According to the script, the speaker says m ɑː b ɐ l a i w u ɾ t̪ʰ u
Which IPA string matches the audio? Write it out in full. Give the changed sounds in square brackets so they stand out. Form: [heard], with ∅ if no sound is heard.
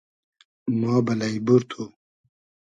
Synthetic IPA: m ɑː b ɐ l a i [b] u ɾ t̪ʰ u